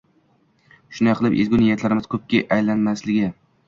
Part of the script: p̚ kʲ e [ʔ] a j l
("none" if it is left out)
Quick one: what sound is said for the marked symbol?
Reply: ʔ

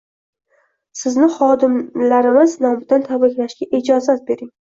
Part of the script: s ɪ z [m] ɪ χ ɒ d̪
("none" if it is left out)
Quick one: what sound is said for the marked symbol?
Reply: n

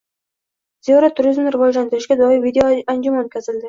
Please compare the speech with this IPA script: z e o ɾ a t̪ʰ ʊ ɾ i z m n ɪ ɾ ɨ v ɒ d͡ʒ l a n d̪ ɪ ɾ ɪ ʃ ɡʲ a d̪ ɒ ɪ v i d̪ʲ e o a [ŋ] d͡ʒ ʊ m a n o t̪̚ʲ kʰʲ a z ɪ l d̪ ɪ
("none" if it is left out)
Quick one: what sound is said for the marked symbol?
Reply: n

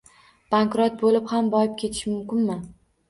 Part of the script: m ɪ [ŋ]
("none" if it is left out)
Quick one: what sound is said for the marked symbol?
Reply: none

